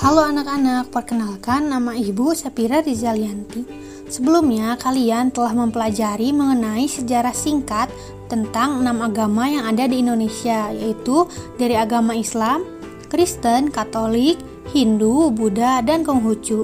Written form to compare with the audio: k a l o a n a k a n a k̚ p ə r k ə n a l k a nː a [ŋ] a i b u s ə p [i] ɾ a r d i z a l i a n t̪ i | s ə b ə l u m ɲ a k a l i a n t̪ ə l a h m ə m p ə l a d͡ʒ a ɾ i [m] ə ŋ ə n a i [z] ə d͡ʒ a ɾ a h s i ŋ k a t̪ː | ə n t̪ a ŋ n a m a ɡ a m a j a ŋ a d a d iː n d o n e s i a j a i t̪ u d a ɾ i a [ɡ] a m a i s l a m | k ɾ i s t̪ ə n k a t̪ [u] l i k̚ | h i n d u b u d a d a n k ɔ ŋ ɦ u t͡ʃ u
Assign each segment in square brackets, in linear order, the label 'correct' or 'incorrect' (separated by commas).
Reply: incorrect, correct, correct, incorrect, correct, incorrect